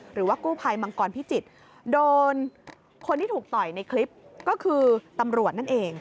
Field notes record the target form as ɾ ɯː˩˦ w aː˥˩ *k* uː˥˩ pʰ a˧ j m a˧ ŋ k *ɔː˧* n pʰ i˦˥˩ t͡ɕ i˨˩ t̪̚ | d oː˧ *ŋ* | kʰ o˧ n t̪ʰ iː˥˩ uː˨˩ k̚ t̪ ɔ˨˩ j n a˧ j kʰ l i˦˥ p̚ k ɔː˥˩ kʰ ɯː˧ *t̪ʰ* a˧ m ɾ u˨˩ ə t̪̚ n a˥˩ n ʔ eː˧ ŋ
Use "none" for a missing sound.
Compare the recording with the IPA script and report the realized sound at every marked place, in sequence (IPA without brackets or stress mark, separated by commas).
k, ɔː˧, n, t̪